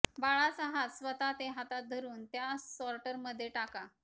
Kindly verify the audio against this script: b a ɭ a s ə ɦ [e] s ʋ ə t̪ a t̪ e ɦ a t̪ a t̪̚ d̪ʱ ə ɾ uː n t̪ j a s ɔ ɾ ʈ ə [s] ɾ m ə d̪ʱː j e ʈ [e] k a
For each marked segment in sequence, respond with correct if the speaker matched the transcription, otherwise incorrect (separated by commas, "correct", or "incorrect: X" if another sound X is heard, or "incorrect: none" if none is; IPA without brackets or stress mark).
incorrect: a, incorrect: none, incorrect: a